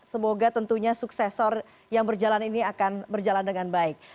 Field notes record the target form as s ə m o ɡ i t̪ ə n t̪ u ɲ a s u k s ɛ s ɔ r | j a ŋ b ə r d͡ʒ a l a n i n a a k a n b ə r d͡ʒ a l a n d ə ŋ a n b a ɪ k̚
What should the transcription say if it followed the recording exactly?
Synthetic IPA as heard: s ə m o ɡ a t̪ ə n t̪ u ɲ a s u k s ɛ s ɔ r | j a ŋ b ə r d͡ʒ a l a n i n i a k a n b ə r d͡ʒ a l a n d ə ŋ a n b a ɪ k̚